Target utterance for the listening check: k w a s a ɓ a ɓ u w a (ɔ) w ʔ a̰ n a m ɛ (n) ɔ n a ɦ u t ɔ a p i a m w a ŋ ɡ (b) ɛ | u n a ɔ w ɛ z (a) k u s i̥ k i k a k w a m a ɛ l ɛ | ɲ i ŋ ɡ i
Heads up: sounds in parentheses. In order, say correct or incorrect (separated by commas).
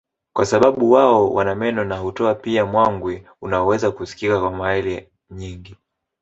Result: correct, correct, incorrect, correct